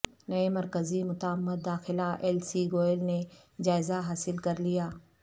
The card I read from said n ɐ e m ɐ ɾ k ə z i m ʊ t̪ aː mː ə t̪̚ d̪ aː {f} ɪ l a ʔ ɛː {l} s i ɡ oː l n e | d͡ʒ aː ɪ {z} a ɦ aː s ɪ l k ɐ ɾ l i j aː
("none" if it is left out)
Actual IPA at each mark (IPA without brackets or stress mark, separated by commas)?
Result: x, l, z